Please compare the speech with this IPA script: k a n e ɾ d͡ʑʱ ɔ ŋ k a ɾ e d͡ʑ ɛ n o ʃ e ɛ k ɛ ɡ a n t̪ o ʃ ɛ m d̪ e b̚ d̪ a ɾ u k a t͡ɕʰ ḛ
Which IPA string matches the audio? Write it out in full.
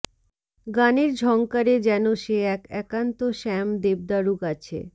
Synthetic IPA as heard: ɡ a n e ɾ d͡ʑʱ ɔ ŋ k a ɾ e d͡ʑ ɛ n o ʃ e ɛ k ɛ k a n t̪ o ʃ ɛ m d̪ e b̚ d̪ a ɾ u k a t͡ɕʰ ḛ